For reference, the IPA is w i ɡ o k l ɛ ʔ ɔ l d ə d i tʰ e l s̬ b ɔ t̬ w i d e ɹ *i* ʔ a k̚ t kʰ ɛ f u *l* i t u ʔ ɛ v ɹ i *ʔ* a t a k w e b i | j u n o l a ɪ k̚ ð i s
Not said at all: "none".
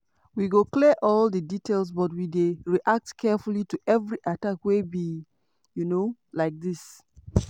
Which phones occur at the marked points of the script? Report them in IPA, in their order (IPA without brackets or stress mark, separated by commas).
i, l, ʔ